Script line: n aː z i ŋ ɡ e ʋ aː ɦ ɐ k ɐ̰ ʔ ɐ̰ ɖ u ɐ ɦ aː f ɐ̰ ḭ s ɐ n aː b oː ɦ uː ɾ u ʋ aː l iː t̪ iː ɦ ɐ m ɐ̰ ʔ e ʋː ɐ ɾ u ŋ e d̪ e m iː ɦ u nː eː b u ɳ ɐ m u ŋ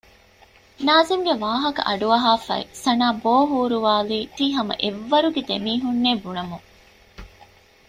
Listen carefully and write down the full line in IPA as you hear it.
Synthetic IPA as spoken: n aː z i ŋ ɡ e ʋ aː ɦ ɐ k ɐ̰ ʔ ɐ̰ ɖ u ɐ ɦ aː f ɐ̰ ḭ s ɐ n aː b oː ɦ uː ɾ u ʋ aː l iː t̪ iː ɦ ɐ m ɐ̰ ʔ e ʋː ɐ ɾ u ɡ e d̪ e m iː ɦ u nː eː b u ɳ ɐ m u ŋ